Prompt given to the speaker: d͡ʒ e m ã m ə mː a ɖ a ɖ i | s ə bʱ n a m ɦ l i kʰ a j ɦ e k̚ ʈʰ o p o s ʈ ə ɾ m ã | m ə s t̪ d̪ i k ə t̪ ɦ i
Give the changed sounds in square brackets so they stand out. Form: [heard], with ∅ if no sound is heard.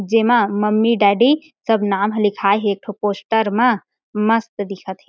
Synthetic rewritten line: d͡ʒ e m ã m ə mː [i] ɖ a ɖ i | s ə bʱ n a m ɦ l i kʰ a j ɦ e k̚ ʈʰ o p o s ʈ ə ɾ m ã | m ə s t̪ d̪ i [kʰ] ə t̪ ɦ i